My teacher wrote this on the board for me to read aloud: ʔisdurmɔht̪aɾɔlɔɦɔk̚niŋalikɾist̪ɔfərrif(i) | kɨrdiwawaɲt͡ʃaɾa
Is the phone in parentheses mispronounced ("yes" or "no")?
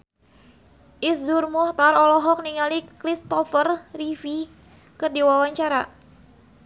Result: no